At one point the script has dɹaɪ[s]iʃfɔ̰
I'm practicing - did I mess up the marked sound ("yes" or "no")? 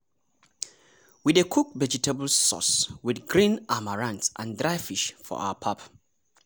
yes